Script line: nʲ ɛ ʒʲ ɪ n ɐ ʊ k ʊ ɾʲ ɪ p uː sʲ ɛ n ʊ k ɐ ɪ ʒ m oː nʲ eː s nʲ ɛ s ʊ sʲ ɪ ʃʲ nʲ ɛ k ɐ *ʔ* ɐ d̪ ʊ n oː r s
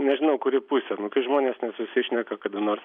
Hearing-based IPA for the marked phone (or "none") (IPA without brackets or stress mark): k